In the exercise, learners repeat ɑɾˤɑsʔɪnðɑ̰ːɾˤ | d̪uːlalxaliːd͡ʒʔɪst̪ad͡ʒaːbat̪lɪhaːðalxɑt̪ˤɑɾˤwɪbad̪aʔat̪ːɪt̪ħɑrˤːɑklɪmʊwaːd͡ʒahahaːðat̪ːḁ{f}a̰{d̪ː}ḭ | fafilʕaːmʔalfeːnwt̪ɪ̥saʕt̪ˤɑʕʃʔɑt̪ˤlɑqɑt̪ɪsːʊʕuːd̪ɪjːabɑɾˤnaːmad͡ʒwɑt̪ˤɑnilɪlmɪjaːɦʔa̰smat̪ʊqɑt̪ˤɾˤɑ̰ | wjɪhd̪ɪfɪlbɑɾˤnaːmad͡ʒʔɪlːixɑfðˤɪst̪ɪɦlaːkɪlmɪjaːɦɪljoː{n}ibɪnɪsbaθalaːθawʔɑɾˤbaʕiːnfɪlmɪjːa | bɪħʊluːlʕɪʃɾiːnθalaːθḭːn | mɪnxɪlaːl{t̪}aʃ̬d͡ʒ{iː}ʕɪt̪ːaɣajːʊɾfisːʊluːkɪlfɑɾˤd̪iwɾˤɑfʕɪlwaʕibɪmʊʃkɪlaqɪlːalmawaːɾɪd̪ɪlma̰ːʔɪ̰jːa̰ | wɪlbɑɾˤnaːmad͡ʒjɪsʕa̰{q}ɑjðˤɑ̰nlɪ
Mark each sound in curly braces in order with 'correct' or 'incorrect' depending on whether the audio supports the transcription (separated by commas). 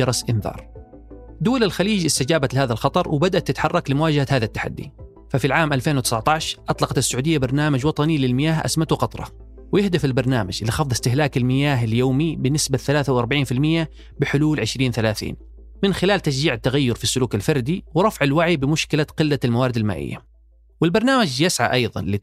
incorrect, correct, incorrect, correct, correct, incorrect